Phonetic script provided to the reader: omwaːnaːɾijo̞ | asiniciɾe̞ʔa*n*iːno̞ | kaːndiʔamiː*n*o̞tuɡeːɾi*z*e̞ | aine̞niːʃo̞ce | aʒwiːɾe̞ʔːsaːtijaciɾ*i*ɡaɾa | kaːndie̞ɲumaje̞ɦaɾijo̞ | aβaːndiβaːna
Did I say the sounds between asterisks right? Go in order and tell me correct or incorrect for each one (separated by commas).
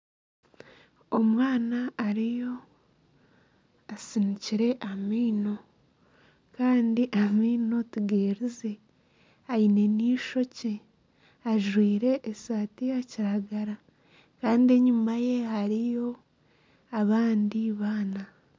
incorrect, correct, correct, incorrect